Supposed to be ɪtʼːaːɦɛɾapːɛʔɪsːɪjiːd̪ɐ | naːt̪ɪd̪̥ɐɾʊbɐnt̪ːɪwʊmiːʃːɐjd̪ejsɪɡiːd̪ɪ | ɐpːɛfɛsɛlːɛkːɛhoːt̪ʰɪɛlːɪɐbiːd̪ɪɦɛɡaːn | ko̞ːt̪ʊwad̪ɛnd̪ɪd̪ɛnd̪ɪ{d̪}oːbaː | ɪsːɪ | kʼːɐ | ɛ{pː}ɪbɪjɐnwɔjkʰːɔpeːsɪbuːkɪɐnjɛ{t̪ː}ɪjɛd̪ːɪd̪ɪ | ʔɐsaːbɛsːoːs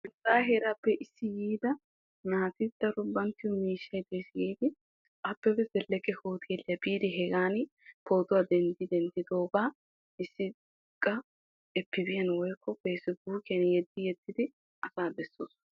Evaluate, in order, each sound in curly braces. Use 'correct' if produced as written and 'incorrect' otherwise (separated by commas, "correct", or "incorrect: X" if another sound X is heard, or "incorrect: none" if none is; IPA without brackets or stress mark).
correct, correct, incorrect: d̪ː